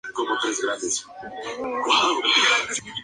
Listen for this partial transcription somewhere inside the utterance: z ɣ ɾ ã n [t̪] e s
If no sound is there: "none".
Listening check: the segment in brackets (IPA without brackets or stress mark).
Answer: d̪